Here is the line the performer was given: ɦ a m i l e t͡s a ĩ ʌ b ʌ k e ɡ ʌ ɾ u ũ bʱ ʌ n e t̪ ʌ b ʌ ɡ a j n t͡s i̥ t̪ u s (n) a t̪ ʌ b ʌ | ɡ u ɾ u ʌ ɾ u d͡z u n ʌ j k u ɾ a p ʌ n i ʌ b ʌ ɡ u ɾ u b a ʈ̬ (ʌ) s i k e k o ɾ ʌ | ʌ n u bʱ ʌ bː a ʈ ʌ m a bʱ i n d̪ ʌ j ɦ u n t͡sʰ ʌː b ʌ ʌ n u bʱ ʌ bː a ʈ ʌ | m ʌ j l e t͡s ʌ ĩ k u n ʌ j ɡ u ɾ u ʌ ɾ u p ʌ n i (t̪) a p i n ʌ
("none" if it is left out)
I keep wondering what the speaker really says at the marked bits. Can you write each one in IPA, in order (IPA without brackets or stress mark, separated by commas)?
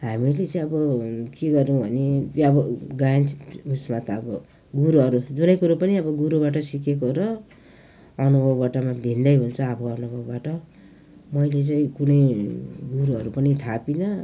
m, ʌ, t̪ʰ